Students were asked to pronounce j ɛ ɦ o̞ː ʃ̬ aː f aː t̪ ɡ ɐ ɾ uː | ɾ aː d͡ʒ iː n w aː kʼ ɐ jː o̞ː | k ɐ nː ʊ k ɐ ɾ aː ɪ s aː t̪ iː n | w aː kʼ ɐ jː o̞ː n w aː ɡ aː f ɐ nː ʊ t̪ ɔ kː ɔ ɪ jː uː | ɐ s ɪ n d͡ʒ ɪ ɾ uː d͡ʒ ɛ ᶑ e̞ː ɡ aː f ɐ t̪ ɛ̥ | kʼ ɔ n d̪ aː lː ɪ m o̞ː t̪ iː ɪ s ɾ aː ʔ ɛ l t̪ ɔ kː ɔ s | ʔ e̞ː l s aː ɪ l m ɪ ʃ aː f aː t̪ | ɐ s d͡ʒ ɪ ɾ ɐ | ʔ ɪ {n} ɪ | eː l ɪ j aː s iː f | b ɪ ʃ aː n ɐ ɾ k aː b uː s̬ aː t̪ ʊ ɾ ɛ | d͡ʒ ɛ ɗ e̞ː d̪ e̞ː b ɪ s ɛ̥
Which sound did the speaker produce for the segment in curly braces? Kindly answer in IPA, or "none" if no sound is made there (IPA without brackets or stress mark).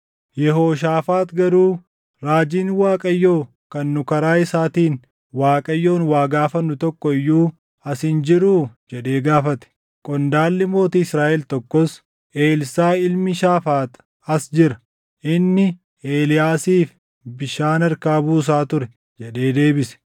nː